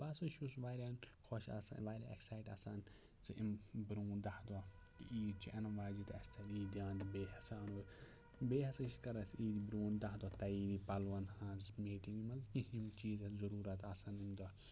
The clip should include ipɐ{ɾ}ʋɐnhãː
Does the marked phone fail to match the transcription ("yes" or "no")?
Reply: yes